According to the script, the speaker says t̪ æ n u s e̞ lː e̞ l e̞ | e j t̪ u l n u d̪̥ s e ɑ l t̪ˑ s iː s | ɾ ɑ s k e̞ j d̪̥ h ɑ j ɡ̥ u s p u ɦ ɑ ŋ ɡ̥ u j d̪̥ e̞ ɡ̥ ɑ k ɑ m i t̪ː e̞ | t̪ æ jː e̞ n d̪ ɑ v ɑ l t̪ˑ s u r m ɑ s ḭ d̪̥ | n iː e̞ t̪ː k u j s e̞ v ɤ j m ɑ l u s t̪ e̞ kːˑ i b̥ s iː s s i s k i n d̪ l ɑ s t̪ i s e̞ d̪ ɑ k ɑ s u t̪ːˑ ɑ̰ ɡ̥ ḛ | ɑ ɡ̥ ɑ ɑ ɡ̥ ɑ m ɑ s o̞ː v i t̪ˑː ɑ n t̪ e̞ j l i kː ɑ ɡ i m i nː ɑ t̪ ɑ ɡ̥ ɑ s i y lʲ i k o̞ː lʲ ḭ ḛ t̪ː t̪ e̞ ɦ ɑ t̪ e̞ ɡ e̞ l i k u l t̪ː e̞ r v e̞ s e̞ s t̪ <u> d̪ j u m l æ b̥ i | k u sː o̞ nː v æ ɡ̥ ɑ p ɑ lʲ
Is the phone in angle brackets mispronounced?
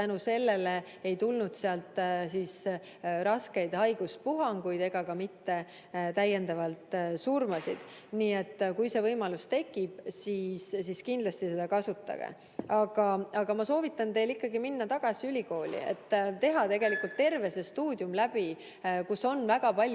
yes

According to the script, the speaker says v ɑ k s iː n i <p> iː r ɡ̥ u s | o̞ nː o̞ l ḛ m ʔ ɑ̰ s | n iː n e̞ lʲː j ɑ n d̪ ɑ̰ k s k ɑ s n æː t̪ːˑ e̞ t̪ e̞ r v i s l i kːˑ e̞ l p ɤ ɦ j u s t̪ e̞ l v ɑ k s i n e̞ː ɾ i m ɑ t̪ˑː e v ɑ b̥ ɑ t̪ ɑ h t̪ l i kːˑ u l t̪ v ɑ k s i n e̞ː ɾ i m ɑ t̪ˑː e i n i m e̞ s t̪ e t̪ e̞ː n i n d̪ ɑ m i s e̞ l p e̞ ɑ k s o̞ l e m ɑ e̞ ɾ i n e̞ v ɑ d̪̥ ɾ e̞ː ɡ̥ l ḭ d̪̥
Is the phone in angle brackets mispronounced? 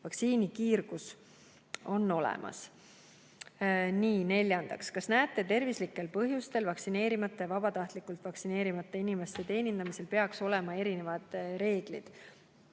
yes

